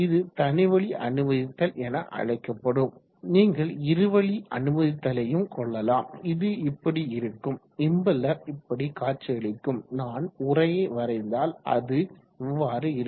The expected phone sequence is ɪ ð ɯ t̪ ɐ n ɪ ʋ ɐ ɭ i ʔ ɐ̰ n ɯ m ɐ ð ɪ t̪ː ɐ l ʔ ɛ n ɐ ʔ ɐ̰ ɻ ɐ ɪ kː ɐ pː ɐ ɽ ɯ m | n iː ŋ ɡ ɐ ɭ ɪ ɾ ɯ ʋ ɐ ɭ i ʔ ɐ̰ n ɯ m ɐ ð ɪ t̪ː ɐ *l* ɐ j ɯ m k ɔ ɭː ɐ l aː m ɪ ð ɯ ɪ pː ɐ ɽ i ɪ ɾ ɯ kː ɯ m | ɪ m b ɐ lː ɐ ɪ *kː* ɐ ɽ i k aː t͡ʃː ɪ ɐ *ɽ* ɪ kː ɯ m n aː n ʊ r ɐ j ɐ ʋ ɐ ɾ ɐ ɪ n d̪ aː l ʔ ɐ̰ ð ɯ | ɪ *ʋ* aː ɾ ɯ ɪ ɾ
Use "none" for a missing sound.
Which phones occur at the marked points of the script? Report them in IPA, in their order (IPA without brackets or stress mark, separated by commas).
l, pː, ɭ, ʋː